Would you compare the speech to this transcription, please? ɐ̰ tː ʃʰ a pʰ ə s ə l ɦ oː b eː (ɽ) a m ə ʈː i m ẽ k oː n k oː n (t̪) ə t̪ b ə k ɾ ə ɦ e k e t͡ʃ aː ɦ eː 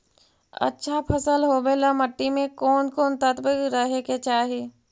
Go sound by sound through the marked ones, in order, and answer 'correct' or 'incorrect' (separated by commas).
incorrect, correct